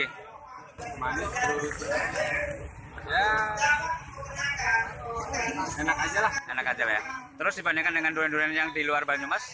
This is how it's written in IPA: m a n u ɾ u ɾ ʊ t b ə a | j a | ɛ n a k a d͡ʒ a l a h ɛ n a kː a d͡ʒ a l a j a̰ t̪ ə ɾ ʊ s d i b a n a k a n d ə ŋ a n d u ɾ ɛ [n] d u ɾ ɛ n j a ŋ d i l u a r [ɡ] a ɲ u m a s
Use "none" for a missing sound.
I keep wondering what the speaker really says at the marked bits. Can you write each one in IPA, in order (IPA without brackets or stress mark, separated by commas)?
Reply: n, b